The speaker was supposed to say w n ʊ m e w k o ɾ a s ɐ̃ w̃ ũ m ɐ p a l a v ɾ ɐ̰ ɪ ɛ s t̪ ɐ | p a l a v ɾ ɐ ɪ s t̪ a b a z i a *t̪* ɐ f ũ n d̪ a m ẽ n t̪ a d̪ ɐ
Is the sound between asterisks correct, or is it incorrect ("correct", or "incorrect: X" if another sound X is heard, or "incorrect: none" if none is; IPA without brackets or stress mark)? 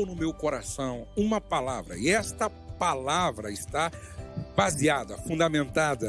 incorrect: d̪